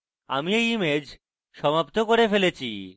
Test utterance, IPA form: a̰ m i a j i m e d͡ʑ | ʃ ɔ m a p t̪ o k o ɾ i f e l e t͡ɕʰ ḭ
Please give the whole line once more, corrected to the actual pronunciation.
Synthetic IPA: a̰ m i e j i m e d͡ʑ | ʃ ɔ m a p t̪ o k o ɾ e f e l e t͡ɕʰ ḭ